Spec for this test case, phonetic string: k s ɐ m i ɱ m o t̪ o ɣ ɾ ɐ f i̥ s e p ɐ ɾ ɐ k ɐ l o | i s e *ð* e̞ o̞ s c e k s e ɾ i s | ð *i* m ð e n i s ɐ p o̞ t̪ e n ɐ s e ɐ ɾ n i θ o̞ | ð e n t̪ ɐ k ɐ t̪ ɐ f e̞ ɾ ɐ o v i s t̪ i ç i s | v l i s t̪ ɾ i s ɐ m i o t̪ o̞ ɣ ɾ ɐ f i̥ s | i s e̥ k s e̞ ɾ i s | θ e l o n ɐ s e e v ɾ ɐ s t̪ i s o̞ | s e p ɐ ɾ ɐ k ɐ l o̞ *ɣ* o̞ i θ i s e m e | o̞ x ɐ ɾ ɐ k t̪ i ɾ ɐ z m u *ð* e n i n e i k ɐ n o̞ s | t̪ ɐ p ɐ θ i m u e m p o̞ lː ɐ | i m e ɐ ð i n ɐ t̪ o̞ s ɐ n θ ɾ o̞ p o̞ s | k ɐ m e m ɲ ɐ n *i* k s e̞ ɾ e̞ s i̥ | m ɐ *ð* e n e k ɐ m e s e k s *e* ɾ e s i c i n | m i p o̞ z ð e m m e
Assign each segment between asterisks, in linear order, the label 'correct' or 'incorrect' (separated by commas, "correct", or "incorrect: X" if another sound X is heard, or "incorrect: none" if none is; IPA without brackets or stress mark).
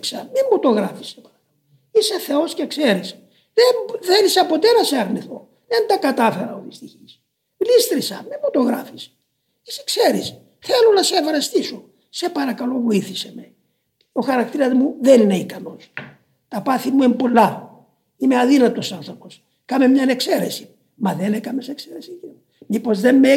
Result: incorrect: θ, incorrect: e, incorrect: v, correct, incorrect: e, correct, correct